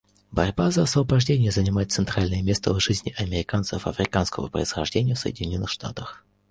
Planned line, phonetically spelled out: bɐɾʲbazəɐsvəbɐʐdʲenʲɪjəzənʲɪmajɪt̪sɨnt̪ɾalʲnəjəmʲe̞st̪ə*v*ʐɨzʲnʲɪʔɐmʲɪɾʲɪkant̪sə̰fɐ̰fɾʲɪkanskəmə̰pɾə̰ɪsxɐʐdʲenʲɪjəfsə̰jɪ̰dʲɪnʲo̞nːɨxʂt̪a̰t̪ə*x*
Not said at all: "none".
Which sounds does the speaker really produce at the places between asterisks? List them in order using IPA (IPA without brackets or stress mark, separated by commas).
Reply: v, x